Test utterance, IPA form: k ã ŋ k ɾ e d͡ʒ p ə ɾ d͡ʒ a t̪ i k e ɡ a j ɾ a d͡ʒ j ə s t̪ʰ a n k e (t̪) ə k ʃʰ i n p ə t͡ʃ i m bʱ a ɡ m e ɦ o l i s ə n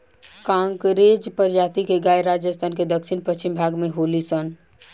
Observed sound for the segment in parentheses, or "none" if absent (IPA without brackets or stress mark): d̪